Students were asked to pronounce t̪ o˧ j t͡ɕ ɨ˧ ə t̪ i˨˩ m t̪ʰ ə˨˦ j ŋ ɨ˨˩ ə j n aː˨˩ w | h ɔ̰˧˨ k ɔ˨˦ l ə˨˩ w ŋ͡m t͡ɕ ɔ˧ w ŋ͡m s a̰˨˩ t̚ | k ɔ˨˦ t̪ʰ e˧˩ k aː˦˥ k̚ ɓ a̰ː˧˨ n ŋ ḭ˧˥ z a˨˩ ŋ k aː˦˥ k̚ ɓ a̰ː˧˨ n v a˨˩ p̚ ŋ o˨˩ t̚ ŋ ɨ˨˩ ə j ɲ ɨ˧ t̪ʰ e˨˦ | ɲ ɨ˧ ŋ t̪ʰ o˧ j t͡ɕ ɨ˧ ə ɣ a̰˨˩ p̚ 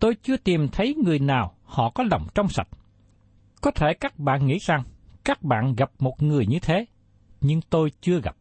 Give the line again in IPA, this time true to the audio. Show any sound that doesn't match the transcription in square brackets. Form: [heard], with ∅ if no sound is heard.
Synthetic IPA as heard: t̪ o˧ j t͡ɕ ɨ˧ ə t̪ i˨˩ m t̪ʰ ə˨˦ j ŋ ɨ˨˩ ə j n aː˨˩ w | h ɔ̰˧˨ k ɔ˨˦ l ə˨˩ w ŋ͡m t͡ɕ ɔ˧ w ŋ͡m s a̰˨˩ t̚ | k ɔ˨˦ t̪ʰ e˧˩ k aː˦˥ k̚ ɓ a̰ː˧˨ n ŋ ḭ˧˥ z a˨˩ ŋ k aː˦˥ k̚ ɓ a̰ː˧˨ n [ɣ] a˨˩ p̚ [m] o˨˩ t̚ ŋ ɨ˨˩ ə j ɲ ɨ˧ t̪ʰ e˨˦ | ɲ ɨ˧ ŋ [t̪] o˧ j t͡ɕ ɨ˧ ə ɣ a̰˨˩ p̚